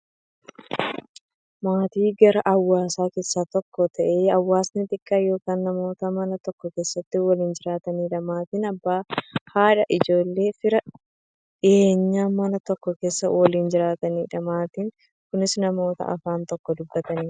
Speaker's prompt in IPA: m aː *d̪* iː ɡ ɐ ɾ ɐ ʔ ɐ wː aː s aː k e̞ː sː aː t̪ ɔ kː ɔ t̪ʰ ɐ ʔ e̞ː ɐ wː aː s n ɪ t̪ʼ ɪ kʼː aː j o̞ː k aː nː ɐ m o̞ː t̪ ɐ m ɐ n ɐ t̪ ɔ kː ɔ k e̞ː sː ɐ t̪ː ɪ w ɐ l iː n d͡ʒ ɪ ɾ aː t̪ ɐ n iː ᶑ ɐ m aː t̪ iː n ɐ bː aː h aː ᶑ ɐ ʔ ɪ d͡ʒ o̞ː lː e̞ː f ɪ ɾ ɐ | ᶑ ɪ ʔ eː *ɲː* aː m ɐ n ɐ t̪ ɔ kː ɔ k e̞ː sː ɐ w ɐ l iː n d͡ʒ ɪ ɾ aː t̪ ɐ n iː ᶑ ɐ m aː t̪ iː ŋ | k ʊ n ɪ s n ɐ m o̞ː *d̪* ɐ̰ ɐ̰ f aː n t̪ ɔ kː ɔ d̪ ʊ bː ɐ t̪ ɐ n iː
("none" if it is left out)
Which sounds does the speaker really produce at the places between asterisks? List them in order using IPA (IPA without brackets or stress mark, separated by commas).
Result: t̪, ɲː, t̪